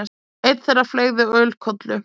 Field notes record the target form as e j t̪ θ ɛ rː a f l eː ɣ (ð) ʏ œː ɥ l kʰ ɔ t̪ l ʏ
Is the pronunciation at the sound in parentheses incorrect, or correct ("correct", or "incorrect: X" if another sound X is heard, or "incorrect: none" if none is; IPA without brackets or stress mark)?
correct